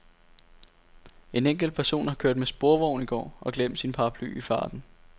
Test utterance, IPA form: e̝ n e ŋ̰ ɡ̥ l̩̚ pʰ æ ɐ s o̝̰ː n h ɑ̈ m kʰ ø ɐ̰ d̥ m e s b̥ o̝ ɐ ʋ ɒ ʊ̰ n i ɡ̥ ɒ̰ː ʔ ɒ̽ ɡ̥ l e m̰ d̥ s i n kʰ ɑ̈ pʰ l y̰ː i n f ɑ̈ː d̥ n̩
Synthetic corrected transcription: e̝ n e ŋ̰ ɡ̥ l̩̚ pʰ æ ɐ s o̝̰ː n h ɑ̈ kʰ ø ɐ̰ d̥ m e s b̥ o̝ ɐ ʋ ɒ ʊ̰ n i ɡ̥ ɒ̰ː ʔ ɒ̽ ɡ̥ l e m̰ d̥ s i n pʰ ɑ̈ pʰ l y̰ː i f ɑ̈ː d̥ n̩

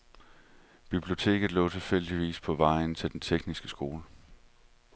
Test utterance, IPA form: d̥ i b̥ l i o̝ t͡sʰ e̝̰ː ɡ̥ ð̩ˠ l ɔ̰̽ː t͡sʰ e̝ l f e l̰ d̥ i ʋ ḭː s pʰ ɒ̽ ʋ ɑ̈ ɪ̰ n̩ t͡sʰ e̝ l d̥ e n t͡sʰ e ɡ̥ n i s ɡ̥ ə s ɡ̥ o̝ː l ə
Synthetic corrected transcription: b̥ i b̥ l i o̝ t͡sʰ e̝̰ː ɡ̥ ð̩ˠ l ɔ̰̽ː t͡sʰ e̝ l f e l̰ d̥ i ʋ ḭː s pʰ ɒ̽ ʋ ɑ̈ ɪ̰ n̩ t͡sʰ e̝ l d̥ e n t͡sʰ e ɡ̥ n i s ɡ̥ ə s ɡ̥ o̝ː l ə

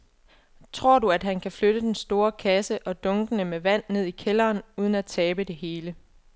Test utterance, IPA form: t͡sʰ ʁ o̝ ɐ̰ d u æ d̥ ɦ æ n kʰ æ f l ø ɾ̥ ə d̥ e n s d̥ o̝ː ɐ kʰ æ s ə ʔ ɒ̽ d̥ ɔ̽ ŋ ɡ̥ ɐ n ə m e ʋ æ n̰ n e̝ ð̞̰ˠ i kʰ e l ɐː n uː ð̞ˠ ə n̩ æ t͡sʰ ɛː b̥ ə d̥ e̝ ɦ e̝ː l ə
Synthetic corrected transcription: t͡sʰ ʁ o̝ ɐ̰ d u æ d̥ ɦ æ n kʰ æ f l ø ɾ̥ ə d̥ e n s d̥ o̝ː ɐ kʰ æ s ə ʔ ɒ̽ d̥ ɔ̽ ŋ ɡ̥ ə n ə m e ʋ æ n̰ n e̝ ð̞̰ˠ i kʰ e l ɐː n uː ð̞ˠ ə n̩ æ t͡sʰ ɛː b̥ ə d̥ e̝ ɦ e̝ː l ə

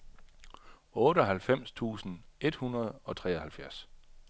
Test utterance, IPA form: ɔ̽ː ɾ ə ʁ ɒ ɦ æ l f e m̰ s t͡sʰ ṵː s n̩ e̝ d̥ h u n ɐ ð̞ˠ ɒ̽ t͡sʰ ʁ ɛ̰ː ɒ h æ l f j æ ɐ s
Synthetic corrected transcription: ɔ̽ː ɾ ə ɒ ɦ æ l f e m̰ s t͡sʰ ṵː s n̩ e̝ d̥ h u n ɐ ð̞ˠ ɒ̽ t͡sʰ ʁ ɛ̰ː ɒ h æ l f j æ ɐ s

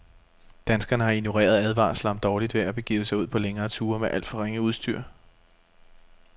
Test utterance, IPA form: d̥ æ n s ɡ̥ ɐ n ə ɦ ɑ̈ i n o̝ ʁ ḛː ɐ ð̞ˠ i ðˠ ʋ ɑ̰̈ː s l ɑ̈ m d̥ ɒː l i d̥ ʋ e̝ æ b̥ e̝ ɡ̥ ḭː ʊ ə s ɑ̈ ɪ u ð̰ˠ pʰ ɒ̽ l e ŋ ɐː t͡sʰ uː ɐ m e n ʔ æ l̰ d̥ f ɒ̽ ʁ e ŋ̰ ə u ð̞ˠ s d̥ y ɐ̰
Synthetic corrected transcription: d̥ æ n s ɡ̥ ɐ n ə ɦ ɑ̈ i n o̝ ʁ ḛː ɐ ð̞ˠ æ ðˠ ʋ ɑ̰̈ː s l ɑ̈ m d̥ ɒː l i d̥ ʋ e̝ æ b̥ e̝ ɡ̥ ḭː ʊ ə s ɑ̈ ɪ u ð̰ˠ pʰ ɒ̽ l e ŋ ɐː t͡sʰ uː ɐ m e ʔ æ l̰ d̥ f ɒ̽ ʁ e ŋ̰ ə u ð̞ˠ s d̥ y ɐ̰

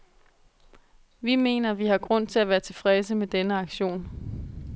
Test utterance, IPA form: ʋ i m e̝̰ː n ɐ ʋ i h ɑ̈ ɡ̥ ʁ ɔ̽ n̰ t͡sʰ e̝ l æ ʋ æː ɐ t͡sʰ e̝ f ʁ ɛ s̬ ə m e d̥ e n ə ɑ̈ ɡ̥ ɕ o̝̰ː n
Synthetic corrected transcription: ʋ i m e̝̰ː n ɐ ʋ i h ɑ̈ ɡ̥ ʁ ɔ̽ n̰ t͡sʰ e̝ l æ ʋ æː ɐ t͡sʰ e̝ f ʁ ɛ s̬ ə m e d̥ e n ə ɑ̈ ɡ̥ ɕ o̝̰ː n

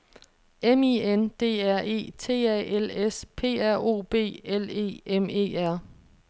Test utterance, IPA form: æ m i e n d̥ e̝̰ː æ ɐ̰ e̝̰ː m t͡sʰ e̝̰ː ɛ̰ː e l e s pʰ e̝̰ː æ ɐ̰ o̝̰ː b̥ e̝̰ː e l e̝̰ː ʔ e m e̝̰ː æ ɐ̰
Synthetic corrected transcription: e m i e n d̥ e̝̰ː æ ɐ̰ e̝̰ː t͡sʰ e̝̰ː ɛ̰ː e l e s pʰ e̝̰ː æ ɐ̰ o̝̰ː b̥ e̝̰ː e l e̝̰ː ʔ e m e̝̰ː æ ɐ̰

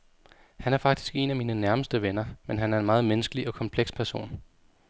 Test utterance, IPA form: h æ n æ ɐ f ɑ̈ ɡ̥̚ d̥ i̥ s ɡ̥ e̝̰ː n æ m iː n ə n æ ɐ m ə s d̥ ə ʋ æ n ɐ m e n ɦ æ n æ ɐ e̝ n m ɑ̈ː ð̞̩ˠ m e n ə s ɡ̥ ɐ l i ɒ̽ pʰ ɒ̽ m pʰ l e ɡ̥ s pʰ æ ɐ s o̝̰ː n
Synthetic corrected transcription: h æ n æ ɐ f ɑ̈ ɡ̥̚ d̥ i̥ s ɡ̥ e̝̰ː n æ m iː n ə n æ ɐ m ə s d̥ ə ʋ e n ɐ m e n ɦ æ n æ ɐ e̝ n m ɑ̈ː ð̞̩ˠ m e n ə s ɡ̥ ə l i ɒ̽ kʰ ɒ̽ m pʰ l e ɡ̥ s pʰ æ ɐ s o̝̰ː n

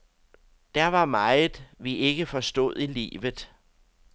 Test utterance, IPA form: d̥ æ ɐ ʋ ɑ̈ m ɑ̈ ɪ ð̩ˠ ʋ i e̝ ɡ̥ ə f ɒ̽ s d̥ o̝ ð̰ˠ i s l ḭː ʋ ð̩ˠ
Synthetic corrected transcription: d̥ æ ɐ ʋ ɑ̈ m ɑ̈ ɪ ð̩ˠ ʋ i e̝ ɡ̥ ə f ɒ̽ s d̥ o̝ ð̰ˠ i l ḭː ʋ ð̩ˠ

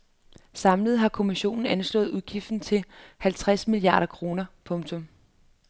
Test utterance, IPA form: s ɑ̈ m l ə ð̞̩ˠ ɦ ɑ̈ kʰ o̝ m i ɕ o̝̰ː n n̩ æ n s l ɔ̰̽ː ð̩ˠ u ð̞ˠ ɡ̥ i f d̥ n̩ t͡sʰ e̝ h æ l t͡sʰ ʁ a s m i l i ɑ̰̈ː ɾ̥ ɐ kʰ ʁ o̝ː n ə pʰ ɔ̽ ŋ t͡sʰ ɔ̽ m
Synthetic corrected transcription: s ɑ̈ m l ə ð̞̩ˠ ɦ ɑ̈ kʰ o̝ m i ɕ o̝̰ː n n̩ æ n s l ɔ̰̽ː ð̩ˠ u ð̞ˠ ɡ̥ i f d̥ n̩ t͡sʰ e̝ h æ l t͡sʰ ʁ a s m i l i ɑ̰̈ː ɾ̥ ɐ kʰ ʁ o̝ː n ɐ pʰ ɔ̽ ŋ t͡sʰ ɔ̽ m

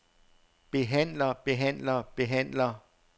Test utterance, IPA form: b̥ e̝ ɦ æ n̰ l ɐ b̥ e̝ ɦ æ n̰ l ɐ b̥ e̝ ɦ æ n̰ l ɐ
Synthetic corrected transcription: b̥ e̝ ɦ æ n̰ l ɐ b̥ e̝ ɦ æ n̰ l ɐ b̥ e̝ ɦ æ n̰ l ɐ

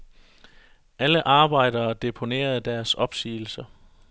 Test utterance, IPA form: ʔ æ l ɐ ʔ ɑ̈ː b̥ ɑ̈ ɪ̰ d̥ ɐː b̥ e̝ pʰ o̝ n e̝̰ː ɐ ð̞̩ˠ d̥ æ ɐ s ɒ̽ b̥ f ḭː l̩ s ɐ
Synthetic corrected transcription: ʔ æ l ə ʔ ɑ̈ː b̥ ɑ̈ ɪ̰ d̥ ɐː d̥ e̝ pʰ o̝ n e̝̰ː ɐ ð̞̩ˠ d̥ æ ɐ s ɒ̽ b̥ s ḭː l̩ s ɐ

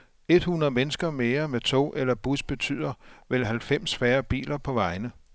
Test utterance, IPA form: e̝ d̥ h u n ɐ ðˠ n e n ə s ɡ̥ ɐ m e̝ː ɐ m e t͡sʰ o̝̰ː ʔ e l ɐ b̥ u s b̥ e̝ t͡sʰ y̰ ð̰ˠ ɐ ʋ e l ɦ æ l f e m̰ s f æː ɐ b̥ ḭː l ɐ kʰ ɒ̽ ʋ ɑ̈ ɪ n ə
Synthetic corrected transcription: e̝ d̥ h u n ɐ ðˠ m e n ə s ɡ̥ ɐ m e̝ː ɐ m e t͡sʰ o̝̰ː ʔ e l ɐ b̥ u s b̥ e̝ t͡sʰ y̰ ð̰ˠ ɐ ʋ e l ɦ æ l f e m̰ s f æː ɐ b̥ ḭː l ɐ pʰ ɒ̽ ʋ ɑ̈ ɪ n ə

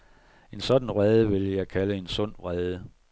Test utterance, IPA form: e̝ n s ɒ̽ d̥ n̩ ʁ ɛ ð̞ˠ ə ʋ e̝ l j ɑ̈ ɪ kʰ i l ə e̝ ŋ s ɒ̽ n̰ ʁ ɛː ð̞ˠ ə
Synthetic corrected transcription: e̝ n s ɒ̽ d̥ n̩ ʁ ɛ ð̞ˠ ə ʋ e̝ l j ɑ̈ ɪ kʰ æ l ə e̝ n s ɔ̽ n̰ ʁ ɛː ð̞ˠ ə

